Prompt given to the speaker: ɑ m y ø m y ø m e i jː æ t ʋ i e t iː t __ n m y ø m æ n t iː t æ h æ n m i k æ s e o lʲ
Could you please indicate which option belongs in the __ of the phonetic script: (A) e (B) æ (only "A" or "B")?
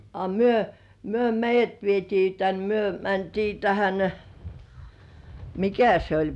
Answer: B